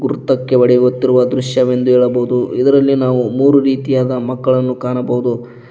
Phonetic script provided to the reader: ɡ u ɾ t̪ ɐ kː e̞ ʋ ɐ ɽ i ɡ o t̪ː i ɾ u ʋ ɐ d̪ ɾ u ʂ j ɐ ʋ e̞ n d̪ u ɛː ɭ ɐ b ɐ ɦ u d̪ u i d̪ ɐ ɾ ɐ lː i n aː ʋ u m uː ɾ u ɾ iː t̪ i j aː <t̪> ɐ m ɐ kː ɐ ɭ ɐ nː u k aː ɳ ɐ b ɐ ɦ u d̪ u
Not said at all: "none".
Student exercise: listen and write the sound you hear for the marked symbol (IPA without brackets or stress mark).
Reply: d̪